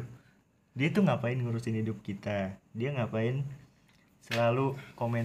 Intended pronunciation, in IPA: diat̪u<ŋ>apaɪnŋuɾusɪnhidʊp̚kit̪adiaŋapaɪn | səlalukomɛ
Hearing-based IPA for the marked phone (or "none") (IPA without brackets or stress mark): ŋ